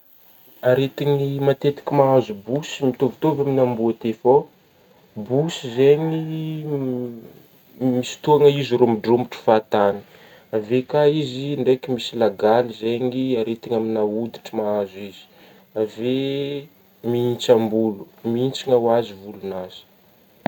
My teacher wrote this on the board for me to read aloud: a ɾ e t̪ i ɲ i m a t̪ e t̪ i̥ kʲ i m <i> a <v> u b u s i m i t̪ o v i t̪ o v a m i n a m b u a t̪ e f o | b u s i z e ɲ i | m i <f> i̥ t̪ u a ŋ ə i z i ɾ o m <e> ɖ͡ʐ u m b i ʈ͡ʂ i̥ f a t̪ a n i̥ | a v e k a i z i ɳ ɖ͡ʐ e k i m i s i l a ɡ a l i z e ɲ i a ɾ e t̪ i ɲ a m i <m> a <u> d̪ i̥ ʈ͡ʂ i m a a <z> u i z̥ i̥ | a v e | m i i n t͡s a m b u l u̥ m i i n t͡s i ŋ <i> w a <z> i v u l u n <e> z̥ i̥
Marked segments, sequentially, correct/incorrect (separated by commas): incorrect, incorrect, incorrect, incorrect, incorrect, correct, correct, incorrect, correct, incorrect